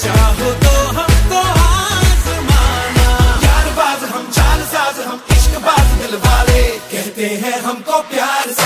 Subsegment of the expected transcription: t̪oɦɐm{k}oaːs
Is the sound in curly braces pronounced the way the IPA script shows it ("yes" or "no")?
yes